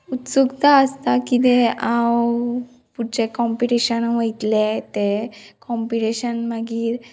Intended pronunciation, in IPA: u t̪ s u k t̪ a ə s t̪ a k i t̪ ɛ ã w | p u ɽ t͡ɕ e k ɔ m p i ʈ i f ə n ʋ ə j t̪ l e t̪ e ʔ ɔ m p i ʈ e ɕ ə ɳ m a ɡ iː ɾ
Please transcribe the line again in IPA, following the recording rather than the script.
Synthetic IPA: u t̪ s u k t̪ a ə s t̪ a k i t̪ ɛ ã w | p u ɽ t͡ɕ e k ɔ m p i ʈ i ɕ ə n ʋ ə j t̪ l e t̪ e k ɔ m p i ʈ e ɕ ə n m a ɡ iː ɾ

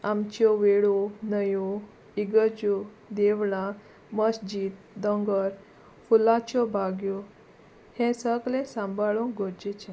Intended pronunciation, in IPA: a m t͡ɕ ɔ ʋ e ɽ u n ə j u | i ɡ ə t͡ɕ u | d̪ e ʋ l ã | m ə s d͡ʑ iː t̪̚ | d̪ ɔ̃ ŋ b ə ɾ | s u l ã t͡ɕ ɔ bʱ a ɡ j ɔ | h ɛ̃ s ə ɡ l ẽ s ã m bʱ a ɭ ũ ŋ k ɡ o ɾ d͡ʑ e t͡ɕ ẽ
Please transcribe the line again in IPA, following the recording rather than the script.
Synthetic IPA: a m t͡ɕ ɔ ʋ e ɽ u n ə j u | i ɡ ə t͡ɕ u | d̪ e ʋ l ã | m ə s d͡ʑ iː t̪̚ | d̪ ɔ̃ ŋ ɡ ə ɾ | f u l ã t͡ɕ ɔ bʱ a ɡ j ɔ | h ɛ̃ s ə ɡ l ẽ s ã m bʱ a ɭ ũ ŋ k ɡ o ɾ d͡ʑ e t͡ɕ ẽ

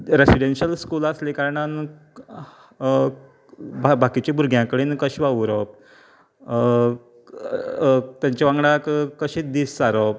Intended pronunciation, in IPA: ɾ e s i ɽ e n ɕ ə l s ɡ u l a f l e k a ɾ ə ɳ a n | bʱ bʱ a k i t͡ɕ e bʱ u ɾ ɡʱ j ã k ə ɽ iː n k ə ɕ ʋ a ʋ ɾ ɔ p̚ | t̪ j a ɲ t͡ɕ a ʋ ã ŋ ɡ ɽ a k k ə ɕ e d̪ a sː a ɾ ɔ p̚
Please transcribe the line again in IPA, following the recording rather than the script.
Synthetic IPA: ɾ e s i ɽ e n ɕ ə l s k u l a s l e k a ɾ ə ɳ a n | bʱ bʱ a k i t͡ɕ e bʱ u ɾ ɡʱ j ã k ə ɽ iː n k ə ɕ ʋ a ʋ ɾ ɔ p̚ | t̪ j a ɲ t͡ɕ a ʋ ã ŋ ɡ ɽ a k k ə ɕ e d̪ i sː a ɾ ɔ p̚

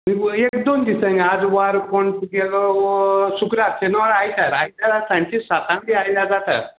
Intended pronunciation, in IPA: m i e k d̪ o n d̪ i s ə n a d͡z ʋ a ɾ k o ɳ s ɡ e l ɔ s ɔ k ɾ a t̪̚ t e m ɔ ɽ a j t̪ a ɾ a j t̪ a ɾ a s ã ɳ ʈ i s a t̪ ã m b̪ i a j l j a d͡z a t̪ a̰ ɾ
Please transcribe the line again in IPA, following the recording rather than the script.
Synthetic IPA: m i e k d̪ o n d̪ i s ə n a d͡z ʋ a ɾ k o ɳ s ɡ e l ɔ s u k ɾ a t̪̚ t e n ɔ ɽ a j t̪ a ɾ a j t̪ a ɾ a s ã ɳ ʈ i s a t̪ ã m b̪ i a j l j a d͡z a t̪ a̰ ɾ

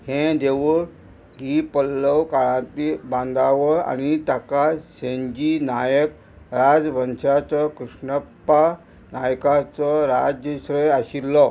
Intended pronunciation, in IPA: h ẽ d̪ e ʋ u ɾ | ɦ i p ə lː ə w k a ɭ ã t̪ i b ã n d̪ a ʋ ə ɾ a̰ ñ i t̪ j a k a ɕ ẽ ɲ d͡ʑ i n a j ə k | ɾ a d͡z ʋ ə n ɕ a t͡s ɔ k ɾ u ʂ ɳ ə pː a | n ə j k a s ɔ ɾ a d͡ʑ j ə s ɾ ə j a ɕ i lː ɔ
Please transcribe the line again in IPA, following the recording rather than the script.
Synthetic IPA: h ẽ d̪ e ʋ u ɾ | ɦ i p ə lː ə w k a ɭ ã t̪ i b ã n d̪ a ʋ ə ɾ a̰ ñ i t̪ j a k a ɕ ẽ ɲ d͡ʑ i n a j ə k | ɾ a d͡z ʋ ə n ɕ a t͡s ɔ k ɾ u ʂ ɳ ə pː a | n a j k a t͡s ɔ ɾ a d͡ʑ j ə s ɾ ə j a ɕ i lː ɔ

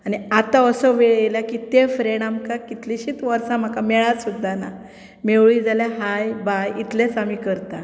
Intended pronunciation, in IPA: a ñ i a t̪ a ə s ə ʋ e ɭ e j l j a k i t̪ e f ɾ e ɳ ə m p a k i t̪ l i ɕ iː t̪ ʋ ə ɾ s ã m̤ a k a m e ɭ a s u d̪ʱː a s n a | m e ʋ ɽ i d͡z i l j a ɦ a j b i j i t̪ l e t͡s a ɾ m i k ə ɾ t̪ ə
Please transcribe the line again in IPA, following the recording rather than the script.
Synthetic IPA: a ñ i a t̪ a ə s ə ʋ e ɭ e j l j a k i t̪ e f ɾ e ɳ a m k a k i t̪ l i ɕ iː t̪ ʋ ə ɾ s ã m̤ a k a m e ɭ a s u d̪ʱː a n a | m e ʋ ɭ i d͡z a l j a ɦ a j b a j i t̪ l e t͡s a m i k ə ɾ t̪ a

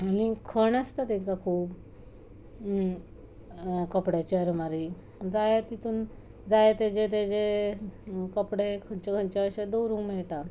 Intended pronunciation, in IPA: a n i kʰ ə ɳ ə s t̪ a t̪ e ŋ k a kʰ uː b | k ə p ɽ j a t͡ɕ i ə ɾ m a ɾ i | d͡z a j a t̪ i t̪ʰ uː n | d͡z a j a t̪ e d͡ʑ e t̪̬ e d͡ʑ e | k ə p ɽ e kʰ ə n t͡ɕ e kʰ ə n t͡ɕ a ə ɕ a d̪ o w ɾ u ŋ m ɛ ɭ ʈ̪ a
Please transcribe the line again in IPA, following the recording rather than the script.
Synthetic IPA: a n i kʰ ə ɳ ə s t̪ a t̪ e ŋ k a kʰ uː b | k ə p ɽ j a t͡ɕ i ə ɾ m a ɾ i | d͡z a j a t̪ i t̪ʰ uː n | d͡z a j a t̪ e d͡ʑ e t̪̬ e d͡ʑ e | k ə p ɽ e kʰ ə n t͡ɕ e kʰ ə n t͡ɕ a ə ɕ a d̪ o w ɾ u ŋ m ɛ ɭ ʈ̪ a

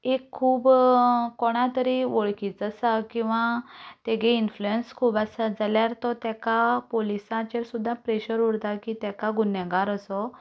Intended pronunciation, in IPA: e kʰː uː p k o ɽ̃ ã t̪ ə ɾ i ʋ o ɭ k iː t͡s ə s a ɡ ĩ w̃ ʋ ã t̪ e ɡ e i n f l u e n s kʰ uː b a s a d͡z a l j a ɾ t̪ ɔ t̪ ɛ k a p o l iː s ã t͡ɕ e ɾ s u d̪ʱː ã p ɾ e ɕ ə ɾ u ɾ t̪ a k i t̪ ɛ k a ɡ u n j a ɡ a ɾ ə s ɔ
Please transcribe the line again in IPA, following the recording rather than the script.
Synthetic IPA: e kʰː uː b k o ɽ̃ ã t̪ ə ɾ i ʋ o ɭ k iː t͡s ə s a k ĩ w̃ ʋ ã t̪ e ɡ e i n f l u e n s kʰ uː b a s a d͡z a l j a ɾ t̪ ɔ t̪ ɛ k a p o l i s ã t͡ɕ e ɾ s u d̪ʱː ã p ɾ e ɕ ə ɾ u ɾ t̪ a k i t̪ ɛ k a ɡ u n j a ɡ a ɾ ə s ɔ

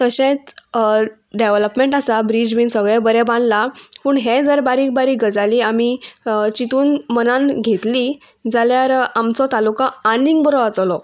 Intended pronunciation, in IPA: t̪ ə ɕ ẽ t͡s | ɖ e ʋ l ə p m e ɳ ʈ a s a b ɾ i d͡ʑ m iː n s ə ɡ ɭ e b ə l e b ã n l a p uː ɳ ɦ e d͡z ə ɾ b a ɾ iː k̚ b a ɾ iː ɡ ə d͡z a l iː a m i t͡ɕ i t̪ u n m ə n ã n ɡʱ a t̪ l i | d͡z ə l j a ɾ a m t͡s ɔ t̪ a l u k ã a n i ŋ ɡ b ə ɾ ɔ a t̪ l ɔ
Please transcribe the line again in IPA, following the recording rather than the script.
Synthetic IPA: t̪ ə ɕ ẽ t͡s | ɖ e ʋ l ə p m e ɳ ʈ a s a b ɾ i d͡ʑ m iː n s ə ɡ ɭ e b ə ɾ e b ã n l a p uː ɳ ɦ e d͡z ə ɾ b a ɾ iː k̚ b a ɾ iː ɡ ə d͡z a l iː a m i t͡ɕ i t̪ uː n m ə n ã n ɡʱ e t̪ l i | d͡z a l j a ɾ a m t͡s ɔ t̪ a l u k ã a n i ŋ ɡ b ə ɾ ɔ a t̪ l ɔ

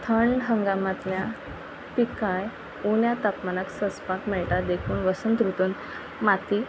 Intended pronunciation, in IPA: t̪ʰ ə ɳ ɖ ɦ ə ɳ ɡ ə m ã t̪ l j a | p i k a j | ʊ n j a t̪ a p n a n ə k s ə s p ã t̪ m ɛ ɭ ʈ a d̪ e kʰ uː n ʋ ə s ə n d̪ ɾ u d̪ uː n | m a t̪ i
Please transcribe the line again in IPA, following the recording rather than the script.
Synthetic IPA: t̪ʰ ə ɳ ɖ ɦ ə ŋ ɡ a m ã t̪ l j a | p i k a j | u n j a t̪ a p m a n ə k s ə s p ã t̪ m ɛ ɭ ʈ a d̪ e kʰ uː n ʋ ə s ə n t̪ ɾ u t̪ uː n | m a t̪ i

